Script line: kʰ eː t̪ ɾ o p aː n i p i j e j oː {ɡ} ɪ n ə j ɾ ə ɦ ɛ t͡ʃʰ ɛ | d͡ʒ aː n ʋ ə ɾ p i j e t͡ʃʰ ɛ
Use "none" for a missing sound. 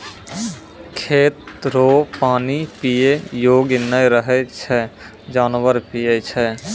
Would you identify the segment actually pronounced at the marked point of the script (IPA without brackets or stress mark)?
ɡ